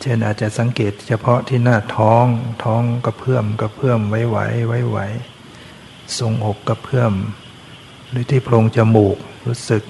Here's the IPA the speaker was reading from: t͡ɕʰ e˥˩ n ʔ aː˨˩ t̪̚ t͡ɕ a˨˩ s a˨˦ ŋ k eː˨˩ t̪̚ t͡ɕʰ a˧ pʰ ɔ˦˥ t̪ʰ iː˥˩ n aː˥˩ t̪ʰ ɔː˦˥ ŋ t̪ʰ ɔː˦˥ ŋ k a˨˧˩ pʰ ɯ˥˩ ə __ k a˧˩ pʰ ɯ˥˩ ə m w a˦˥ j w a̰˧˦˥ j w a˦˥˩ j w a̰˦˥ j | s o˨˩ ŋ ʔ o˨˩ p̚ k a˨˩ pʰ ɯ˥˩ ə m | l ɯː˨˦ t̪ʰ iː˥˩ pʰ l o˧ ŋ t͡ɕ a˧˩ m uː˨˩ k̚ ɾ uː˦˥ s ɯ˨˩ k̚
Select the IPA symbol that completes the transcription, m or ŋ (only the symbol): m